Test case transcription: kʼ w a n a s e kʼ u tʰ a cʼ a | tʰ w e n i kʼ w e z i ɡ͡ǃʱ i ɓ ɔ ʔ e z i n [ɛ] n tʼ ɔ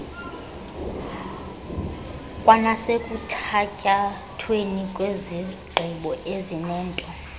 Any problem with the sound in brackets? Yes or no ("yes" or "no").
yes